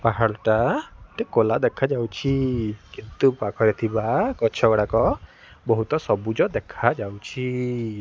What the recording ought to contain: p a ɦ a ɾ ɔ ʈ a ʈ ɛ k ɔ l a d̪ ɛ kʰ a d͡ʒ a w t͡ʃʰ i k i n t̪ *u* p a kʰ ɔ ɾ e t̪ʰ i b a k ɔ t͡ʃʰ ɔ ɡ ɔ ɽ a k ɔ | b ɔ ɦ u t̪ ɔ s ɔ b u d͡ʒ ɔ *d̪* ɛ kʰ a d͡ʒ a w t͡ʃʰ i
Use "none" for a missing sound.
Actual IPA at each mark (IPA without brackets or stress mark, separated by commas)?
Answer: u, d̪